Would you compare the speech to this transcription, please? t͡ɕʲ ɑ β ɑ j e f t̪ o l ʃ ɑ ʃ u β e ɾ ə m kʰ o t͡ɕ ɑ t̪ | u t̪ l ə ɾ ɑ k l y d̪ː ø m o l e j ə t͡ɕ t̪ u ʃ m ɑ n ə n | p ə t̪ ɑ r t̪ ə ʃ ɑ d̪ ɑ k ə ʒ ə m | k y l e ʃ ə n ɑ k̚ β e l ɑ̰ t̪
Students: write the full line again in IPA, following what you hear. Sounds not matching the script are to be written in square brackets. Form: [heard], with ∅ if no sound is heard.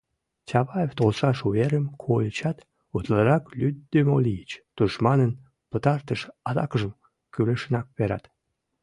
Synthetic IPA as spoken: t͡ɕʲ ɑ β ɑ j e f t̪ o l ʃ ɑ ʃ u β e ɾ ə m kʰ o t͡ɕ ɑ t̪ | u t̪ l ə ɾ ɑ k l y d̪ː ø m o l [i] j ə t͡ɕ t̪ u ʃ m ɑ n ə n | p ə t̪ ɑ r t̪ ə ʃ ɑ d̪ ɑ k ə ʒ ə m | k y l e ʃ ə n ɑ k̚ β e [ɾ] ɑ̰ t̪